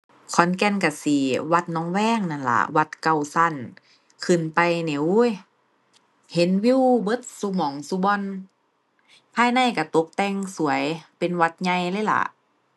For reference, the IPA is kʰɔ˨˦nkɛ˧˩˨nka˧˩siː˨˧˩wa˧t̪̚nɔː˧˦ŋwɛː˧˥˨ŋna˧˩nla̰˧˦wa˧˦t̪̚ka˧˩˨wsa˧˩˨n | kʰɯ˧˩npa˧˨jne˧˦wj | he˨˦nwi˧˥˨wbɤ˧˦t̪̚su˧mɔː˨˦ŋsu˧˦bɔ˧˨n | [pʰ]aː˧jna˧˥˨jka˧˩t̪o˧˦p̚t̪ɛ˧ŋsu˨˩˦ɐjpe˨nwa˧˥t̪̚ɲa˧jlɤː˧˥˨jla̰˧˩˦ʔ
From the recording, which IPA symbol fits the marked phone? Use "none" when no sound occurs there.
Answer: pʰ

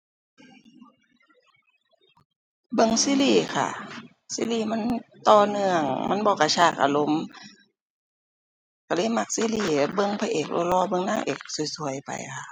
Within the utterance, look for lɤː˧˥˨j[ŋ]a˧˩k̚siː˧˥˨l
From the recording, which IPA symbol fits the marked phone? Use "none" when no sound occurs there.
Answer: m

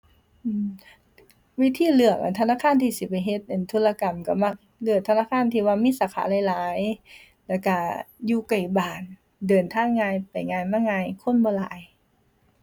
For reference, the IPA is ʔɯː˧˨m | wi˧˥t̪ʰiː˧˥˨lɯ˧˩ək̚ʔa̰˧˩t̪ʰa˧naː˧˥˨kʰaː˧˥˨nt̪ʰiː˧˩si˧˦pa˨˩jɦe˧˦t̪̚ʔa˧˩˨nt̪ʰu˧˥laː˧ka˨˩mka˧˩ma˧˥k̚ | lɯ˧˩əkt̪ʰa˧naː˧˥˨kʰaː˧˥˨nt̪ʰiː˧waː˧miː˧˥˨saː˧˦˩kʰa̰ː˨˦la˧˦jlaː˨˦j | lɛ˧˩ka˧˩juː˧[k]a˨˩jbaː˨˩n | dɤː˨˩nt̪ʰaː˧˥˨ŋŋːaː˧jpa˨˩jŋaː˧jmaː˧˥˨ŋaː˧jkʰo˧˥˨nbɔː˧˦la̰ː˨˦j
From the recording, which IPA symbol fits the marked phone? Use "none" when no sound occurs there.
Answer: k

